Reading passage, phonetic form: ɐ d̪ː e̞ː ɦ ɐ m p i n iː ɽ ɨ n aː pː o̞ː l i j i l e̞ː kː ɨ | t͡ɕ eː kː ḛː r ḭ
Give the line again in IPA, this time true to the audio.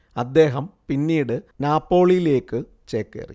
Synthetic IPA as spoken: ɐ d̪ː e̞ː ɦ ɐ m p i nː iː ɽ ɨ n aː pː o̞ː ɭ i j i l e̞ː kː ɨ | t͡ɕ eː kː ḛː r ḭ